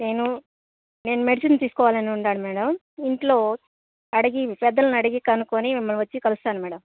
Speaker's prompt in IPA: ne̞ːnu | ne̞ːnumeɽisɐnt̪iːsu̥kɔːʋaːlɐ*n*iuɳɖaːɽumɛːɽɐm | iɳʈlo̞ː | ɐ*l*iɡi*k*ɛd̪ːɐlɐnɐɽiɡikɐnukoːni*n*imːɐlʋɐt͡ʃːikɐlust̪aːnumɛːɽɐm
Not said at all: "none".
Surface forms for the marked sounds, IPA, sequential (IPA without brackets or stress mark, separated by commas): n, ɽ, p, m